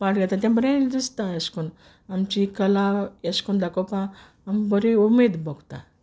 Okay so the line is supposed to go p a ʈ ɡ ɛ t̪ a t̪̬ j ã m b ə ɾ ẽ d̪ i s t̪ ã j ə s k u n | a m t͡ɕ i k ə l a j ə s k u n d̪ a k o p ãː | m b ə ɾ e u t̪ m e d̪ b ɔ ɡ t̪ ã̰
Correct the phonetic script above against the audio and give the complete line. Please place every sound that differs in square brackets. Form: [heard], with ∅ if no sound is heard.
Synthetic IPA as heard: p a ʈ ɡ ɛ t̪ a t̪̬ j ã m b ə ɾ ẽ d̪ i s t̪ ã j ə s k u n | a m t͡ɕ i k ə l a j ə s k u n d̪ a k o p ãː | m b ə ɾ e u [∅] m e d̪ b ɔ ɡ t̪ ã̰